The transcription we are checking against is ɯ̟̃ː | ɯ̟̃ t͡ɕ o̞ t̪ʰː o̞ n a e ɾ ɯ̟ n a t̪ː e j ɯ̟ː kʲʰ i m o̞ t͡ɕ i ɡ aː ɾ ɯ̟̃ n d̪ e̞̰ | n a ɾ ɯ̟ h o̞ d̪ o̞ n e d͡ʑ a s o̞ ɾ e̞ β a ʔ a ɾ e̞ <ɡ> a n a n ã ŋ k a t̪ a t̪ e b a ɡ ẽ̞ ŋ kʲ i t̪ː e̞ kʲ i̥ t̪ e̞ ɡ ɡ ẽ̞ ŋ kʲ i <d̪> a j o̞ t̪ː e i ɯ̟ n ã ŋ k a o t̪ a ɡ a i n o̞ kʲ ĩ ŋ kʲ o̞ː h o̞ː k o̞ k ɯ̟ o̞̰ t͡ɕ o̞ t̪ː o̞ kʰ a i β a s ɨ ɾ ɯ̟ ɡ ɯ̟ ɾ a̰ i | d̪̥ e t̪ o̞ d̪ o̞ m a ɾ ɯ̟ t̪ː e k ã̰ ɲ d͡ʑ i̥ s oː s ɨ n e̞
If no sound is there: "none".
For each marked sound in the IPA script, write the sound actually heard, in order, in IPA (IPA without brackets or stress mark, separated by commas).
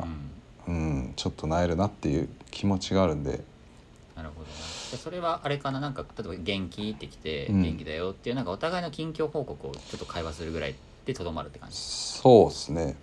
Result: k, d̪